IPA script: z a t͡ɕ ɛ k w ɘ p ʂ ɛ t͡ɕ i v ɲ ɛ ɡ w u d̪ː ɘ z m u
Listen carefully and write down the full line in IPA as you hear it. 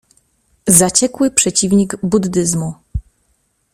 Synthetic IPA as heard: z a t͡ɕ ɛ k w ɘ p ʂ ɛ t͡ɕ i v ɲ i ɡ b u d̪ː ɘ z m u